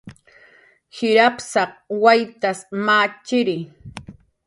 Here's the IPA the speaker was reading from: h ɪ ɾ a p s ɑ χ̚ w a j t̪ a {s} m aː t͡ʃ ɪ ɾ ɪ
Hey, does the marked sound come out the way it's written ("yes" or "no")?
yes